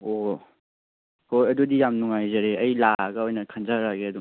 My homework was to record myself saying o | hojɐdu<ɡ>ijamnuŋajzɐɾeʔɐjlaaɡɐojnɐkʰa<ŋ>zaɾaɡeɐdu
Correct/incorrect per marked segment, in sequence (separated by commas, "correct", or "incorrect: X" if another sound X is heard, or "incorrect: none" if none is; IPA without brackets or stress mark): incorrect: d, incorrect: n